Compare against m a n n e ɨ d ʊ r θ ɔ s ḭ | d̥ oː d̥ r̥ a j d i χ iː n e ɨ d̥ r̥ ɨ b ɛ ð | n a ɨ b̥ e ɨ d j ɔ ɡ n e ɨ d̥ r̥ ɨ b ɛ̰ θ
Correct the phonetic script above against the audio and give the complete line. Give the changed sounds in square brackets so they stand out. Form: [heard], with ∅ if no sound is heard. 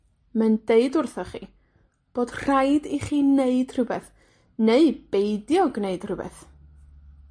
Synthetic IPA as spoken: m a n [d] e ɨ d ʊ r θ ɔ [χ] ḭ | [b̥] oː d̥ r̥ a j d i χ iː n e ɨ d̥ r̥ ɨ b ɛ [θ] | n [e] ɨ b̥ e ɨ d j ɔ ɡ n e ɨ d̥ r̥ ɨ b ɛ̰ θ

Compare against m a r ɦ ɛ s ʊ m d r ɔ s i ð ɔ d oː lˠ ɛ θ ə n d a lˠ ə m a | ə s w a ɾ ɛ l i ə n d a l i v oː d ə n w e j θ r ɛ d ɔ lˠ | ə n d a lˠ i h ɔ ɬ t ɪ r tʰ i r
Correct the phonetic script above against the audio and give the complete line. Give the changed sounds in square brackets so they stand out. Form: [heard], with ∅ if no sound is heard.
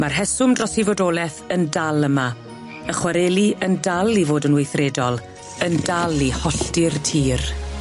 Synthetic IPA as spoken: m a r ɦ ɛ s ʊ m d r ɔ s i [v] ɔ d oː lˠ ɛ θ ə n d a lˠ ə m a | ə [χ] w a ɾ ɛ l i ə n d a l i v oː d ə n w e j θ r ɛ d ɔ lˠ | ə n d a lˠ i h ɔ ɬ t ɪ r tʰ [iː] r

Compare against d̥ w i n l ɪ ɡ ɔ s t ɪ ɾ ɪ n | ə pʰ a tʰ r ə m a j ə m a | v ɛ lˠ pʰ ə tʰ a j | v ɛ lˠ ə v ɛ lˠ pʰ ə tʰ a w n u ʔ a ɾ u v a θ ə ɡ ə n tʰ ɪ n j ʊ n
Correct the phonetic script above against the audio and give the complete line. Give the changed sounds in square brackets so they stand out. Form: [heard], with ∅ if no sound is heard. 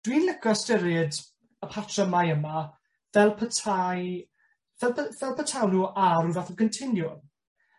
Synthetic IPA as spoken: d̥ w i n l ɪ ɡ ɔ s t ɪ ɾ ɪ [d] | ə pʰ a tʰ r ə m a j ə m a | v ɛ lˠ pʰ ə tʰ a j | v ɛ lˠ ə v ɛ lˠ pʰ ə tʰ a w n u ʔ a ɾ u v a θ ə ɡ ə n tʰ ɪ n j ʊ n

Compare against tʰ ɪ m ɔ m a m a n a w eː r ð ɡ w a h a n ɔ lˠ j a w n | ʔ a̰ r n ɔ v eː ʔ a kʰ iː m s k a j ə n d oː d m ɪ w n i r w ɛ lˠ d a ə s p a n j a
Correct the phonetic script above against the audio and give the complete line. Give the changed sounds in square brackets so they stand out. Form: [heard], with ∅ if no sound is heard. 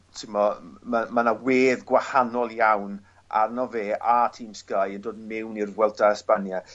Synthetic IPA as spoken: tʰ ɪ m ɔ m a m a n a w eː [∅] ð ɡ w a h a n ɔ lˠ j a w n | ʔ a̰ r n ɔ v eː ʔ a [tʰ] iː m s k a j ə n d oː d m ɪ w n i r w ɛ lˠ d a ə s p a n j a

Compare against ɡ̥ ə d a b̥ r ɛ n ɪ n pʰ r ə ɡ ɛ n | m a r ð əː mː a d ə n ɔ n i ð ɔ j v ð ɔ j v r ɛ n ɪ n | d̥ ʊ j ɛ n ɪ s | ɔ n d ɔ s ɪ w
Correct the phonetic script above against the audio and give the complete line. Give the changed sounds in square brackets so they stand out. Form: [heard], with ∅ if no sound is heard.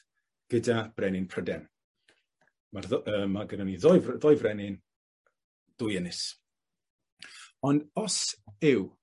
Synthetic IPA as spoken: ɡ̥ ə d a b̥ r ɛ n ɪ n pʰ r ə [d] ɛ n | m a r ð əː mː a [ɡ] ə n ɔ n i ð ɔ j v ð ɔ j v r ɛ n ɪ n | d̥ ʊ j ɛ n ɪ s | ɔ n d ɔ s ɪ w

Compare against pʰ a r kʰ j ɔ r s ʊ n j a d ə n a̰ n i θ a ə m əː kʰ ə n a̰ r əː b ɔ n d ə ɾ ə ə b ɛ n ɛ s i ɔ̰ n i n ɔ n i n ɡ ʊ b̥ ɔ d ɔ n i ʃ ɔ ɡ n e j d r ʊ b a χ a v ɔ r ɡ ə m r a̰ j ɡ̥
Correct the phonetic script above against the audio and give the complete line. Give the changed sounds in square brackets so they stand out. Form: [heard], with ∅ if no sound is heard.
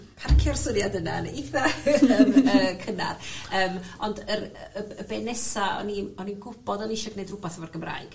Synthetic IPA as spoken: pʰ a r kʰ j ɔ r s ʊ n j a d ə n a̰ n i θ a ə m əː kʰ ə n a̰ r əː [m] ɔ n d ə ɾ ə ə b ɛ n ɛ s [a] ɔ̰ n i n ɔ n i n ɡ ʊ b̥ ɔ d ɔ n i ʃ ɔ ɡ n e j d r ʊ b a [θ] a v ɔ r ɡ ə m r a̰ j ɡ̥

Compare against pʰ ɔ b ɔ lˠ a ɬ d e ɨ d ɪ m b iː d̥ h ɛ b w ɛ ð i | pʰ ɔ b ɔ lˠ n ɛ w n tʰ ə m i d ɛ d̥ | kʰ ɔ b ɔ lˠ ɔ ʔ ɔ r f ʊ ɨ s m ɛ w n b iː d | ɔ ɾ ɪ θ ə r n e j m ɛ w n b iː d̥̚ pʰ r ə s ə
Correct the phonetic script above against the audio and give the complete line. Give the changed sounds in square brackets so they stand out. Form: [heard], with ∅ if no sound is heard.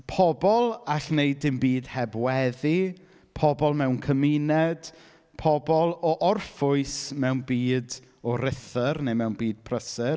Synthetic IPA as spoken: pʰ ɔ b ɔ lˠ a ɬ [n] e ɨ d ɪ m b iː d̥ h ɛ b w ɛ ð i | pʰ ɔ b ɔ lˠ [m] ɛ w n [kʰ] ə m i [n] ɛ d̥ | [pʰ] ɔ b ɔ lˠ ɔ ʔ ɔ r f ʊ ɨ s m ɛ w n b iː d | ɔ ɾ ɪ θ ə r n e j m ɛ w n b iː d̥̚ pʰ r ə s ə

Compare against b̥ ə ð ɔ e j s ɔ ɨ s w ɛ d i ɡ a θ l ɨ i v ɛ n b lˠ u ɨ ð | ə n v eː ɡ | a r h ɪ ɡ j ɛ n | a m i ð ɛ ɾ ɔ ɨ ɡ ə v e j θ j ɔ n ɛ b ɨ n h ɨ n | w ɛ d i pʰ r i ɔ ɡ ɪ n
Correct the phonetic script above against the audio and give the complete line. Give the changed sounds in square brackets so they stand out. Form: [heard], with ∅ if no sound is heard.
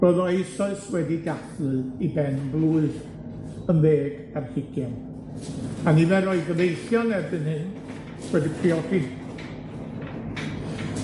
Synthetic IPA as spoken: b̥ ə ð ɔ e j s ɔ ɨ s w ɛ d i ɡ a θ l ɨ i [b] ɛ n b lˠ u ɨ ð | ə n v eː ɡ | a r h ɪ ɡ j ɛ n | a [n] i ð ɛ ɾ ɔ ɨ ɡ ə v e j θ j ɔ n ɛ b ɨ n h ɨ n | w ɛ d i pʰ r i ɔ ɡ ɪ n

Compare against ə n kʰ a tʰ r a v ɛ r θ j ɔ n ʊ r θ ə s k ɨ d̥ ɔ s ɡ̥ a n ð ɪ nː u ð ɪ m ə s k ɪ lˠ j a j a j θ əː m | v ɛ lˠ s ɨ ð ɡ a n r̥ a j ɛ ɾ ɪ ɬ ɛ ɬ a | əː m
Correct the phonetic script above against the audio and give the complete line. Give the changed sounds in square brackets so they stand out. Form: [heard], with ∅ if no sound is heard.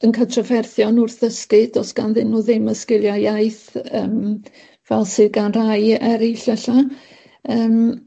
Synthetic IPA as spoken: ə n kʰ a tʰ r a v ɛ r θ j ɔ n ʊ r θ ə s k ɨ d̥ ɔ s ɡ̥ a n ð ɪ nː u ð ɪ m ə s k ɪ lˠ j a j a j θ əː m | v ɛ lˠ s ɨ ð ɡ a n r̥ a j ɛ ɾ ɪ ɬ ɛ ɬ a | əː m

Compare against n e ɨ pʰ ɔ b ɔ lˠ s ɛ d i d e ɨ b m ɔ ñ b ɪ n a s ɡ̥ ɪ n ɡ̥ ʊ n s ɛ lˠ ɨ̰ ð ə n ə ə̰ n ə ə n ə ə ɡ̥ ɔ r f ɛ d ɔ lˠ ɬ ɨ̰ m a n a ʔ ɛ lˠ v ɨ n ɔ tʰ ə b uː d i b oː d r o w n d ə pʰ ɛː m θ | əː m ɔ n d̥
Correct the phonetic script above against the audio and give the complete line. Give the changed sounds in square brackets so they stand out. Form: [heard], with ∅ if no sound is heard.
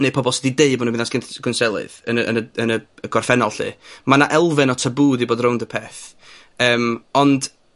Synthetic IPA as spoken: n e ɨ pʰ ɔ b ɔ lˠ s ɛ d i d e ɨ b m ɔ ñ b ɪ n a s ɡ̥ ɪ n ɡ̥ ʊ n s ɛ lˠ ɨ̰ ð ə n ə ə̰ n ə ə n ə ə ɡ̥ ɔ r f ɛ [n] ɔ lˠ ɬ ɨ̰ m a n a ʔ ɛ lˠ v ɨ n ɔ tʰ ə b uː d i b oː d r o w n d ə pʰ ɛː [∅] θ | əː m ɔ n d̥

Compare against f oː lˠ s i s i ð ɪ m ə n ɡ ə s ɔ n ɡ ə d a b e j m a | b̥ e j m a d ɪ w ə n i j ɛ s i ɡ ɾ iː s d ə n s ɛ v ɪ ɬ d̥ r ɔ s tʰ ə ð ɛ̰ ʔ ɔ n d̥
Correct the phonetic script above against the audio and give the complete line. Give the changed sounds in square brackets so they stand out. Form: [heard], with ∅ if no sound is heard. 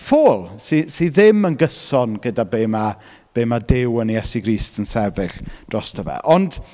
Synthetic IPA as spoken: f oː lˠ s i s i ð ɪ m ə n ɡ ə s ɔ n ɡ ə d a b e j m a | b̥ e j m a d ɪ w ə n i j ɛ s i ɡ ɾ iː s [t] ə n s ɛ v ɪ ɬ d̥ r ɔ s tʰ ə [v] ɛ̰ ʔ ɔ n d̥

